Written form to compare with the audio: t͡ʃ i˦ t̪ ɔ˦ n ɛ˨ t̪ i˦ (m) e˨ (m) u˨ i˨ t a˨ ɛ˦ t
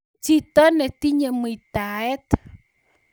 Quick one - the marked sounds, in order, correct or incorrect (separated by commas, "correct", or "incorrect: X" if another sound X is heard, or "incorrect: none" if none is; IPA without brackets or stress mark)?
incorrect: ɲ, correct